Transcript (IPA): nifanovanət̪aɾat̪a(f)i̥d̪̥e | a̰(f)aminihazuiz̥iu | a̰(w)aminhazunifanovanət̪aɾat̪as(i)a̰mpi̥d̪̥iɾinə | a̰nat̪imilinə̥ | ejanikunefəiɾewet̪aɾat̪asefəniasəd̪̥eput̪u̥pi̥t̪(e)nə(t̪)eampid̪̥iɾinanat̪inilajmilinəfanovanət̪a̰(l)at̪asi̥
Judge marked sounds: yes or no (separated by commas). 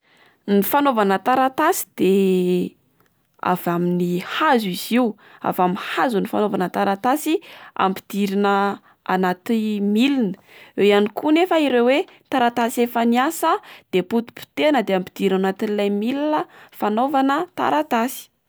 no, no, no, yes, yes, no, no